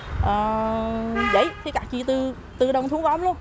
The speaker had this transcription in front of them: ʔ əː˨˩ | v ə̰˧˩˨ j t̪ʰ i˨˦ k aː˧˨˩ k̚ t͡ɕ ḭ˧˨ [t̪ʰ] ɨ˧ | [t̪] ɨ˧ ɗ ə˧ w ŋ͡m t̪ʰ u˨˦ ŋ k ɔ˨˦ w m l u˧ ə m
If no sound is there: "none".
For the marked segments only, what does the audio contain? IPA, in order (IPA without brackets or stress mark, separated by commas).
t̪, t̪